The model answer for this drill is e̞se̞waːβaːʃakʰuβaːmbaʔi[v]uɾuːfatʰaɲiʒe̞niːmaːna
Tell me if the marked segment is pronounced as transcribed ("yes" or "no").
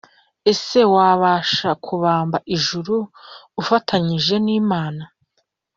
no